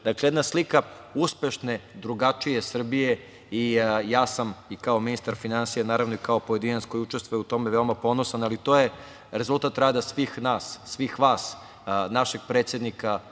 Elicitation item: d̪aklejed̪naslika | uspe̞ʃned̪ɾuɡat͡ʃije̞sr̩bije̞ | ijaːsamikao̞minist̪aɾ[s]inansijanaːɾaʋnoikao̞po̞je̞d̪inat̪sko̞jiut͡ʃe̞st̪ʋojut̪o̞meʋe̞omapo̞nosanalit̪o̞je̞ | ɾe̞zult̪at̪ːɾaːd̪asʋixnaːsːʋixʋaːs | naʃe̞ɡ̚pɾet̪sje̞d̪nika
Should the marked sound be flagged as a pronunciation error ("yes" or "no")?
yes